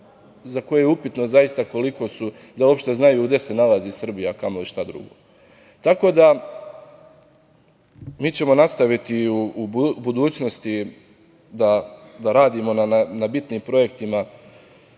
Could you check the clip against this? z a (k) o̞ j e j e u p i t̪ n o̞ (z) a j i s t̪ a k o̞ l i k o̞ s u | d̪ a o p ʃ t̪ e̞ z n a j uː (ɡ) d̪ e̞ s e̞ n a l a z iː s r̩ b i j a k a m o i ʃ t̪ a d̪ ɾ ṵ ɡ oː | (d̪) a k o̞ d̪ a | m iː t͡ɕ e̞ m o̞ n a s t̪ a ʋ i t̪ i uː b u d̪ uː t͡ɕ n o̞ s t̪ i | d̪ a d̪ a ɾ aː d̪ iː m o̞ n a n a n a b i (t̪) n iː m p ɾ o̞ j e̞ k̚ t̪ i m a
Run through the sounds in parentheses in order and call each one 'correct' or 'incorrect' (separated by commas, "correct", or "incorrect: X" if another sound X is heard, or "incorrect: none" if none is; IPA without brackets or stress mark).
correct, correct, correct, incorrect: t̪, correct